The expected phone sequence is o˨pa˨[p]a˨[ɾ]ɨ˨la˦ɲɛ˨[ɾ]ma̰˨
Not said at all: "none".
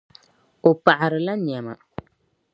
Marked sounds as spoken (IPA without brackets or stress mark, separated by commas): ʔ, ɾ, none